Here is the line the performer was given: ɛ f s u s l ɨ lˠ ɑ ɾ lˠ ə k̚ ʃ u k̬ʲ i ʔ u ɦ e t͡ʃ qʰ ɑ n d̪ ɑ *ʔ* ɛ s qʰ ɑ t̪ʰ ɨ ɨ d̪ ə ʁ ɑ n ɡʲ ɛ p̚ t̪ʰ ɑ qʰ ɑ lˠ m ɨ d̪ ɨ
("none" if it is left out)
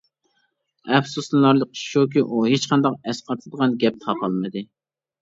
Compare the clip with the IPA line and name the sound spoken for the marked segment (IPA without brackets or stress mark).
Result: q